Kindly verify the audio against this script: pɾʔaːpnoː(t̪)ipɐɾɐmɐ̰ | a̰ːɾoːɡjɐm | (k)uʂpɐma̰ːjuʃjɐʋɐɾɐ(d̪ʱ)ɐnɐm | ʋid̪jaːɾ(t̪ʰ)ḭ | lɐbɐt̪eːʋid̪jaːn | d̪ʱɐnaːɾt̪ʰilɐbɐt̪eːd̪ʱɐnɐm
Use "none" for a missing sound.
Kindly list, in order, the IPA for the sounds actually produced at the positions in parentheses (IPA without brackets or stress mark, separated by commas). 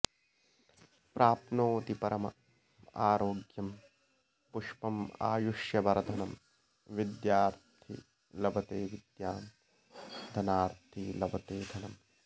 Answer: t̪, p, d̪ʱ, t̪ʰ